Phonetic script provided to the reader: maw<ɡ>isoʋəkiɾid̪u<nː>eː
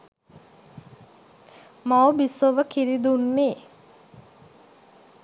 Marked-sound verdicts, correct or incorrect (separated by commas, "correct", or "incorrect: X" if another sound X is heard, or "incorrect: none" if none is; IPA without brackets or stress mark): incorrect: b, correct